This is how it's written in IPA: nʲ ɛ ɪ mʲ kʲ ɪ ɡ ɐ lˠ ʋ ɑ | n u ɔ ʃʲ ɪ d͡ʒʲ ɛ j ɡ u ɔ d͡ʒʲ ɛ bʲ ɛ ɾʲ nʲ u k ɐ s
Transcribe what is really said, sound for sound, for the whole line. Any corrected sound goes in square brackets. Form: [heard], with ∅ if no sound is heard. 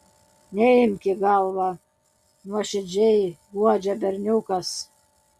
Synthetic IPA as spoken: nʲ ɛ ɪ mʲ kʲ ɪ ɡ [ɑ] lˠ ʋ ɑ | n u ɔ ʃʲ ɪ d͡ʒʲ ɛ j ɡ u ɔ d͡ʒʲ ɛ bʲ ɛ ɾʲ nʲ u k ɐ s